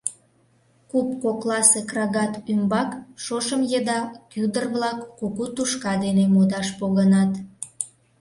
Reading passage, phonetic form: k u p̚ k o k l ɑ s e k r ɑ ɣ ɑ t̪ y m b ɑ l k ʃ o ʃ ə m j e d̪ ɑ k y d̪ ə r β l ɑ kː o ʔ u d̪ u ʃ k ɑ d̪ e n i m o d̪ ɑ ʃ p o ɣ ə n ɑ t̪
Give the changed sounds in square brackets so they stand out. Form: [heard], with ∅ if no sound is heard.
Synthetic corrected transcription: k u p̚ k o k l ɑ s e k r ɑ ɣ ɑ t̪ y m b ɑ [∅] k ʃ o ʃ ə m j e d̪ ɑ k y d̪ ə r β l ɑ kː o [k] u [t̪] u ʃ k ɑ d̪ e n [e] m o d̪ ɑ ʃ p o ɣ ə n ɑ t̪